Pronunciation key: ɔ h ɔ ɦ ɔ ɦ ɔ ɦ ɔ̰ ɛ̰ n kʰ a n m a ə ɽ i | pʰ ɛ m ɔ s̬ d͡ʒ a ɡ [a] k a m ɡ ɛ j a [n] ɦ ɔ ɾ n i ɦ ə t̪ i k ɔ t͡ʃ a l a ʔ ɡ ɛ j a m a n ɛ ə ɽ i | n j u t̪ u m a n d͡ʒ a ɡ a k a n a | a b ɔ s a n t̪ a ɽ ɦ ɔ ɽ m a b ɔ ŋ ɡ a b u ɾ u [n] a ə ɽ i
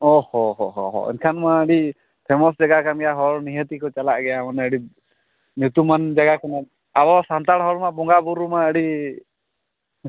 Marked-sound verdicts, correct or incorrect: correct, incorrect, incorrect

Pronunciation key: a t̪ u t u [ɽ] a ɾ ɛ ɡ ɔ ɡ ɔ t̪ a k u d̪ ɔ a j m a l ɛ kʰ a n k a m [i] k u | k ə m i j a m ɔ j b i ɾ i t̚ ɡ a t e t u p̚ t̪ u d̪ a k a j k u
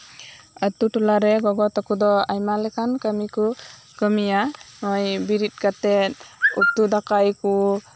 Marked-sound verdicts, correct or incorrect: incorrect, correct

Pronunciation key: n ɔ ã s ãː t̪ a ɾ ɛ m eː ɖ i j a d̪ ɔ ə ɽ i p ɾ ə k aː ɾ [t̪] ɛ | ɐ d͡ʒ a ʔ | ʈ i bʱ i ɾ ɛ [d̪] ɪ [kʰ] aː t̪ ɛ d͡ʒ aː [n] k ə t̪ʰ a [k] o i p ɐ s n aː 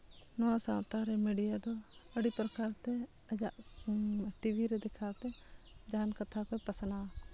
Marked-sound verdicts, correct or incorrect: correct, correct, correct, correct, correct

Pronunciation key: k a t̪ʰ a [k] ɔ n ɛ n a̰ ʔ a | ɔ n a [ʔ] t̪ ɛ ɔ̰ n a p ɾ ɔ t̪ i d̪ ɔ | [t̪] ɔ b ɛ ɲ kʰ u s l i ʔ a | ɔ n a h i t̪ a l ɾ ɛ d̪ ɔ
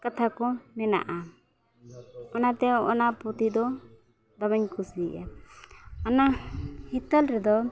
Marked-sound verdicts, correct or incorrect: correct, incorrect, incorrect

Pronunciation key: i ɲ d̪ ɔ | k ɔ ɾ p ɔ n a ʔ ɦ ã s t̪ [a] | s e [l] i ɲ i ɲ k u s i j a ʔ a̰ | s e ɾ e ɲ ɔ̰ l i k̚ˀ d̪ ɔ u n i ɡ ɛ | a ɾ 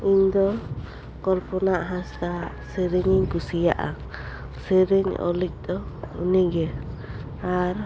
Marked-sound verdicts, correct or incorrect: correct, incorrect

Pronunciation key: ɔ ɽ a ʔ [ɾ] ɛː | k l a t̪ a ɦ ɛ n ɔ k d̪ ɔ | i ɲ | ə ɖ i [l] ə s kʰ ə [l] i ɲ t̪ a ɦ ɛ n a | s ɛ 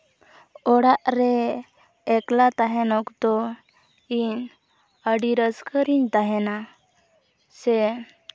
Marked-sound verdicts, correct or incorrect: correct, incorrect, incorrect

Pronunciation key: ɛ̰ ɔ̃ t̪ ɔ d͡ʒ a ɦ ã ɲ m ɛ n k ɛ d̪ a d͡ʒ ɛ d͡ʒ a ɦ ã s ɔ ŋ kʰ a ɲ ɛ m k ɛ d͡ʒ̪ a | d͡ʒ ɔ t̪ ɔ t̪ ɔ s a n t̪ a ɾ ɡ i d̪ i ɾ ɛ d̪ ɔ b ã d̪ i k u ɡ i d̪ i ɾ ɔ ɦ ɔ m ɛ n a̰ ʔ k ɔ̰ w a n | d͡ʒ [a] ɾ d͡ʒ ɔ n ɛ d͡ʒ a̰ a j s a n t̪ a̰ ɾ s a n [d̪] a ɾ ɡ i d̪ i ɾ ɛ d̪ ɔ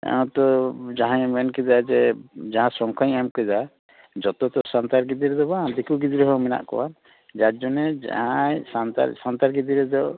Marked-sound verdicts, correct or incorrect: correct, incorrect

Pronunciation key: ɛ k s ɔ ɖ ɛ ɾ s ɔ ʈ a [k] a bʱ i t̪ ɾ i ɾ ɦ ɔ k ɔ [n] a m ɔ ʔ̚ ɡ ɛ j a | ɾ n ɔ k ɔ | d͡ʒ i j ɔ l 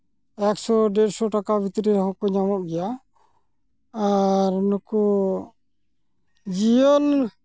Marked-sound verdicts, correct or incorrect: correct, incorrect

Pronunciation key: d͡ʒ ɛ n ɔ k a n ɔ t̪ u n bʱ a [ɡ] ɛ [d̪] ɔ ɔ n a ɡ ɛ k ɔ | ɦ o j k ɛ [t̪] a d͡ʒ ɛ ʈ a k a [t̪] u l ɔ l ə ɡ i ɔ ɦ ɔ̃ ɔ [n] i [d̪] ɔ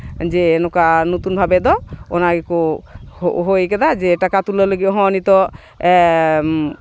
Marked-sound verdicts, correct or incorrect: incorrect, correct, incorrect, correct, correct, incorrect

